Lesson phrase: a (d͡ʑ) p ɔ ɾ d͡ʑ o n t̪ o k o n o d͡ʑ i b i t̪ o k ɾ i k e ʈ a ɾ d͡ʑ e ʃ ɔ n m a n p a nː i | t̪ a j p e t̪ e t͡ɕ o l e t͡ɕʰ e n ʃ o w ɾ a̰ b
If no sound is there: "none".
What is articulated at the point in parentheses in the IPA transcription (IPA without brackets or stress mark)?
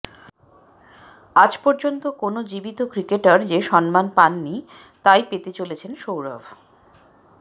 d͡ʑ